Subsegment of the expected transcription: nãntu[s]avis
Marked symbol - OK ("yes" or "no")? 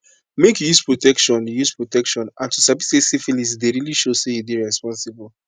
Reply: yes